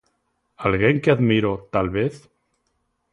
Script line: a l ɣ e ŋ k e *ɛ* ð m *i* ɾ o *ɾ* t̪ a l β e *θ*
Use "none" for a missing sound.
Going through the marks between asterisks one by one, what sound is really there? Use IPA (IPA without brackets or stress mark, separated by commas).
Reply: a, i, none, θ